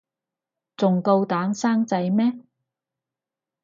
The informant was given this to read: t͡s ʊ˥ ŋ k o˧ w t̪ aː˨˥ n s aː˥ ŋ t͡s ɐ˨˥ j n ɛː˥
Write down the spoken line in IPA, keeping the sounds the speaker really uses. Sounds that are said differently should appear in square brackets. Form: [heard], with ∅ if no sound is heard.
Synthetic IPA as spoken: t͡s [ʊ˨] ŋ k o˧ w t̪ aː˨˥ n s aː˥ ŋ t͡s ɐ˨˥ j [m] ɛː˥